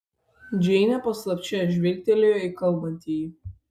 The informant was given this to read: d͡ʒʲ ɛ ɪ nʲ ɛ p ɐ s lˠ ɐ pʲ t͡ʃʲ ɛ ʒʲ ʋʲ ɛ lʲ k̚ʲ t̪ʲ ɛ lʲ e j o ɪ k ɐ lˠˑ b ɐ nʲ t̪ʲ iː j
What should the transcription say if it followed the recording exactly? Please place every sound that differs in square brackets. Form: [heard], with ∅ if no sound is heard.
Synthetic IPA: d͡ʒʲ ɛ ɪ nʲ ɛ p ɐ s lˠ ɐ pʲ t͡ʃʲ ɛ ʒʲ ʋʲ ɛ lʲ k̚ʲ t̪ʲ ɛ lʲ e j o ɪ k ɐ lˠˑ b ɐ nʲ t̪ʲ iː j